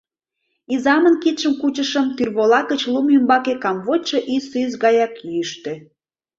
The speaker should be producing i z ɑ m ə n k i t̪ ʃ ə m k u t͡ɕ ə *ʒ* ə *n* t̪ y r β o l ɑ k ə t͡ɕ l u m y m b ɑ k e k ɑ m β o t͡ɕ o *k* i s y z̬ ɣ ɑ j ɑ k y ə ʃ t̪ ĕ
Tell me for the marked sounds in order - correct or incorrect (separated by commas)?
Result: incorrect, incorrect, incorrect